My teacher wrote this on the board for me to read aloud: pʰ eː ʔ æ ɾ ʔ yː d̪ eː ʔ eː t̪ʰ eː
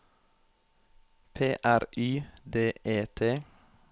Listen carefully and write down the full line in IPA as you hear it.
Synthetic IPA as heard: pʰ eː ʔ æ ɾ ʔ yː d̪ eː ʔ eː t̪ʰ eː